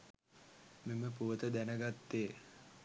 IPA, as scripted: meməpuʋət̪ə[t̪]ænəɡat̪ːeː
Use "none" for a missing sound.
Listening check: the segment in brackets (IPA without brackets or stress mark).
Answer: d̪